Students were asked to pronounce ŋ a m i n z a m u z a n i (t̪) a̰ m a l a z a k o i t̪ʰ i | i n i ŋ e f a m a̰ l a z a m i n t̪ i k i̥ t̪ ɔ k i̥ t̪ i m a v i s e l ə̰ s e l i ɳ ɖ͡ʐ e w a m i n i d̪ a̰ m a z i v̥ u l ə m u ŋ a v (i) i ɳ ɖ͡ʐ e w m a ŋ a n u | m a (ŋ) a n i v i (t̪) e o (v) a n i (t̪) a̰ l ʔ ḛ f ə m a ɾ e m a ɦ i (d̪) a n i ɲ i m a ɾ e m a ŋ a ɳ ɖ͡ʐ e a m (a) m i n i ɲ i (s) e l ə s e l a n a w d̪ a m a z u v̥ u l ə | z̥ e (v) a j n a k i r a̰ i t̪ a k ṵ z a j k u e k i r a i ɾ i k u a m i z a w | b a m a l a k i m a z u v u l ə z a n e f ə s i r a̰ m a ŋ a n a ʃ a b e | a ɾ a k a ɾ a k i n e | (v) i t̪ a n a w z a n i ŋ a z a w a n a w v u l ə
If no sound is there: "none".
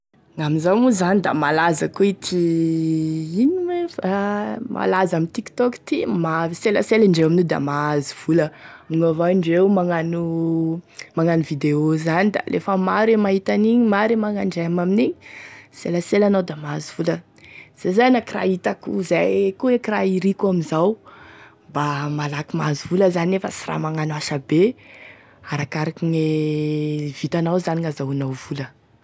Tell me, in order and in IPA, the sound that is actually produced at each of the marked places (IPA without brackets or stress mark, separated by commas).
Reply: d̪, a, ŋ, d̪, z, d̪, t̪, a, s, z, v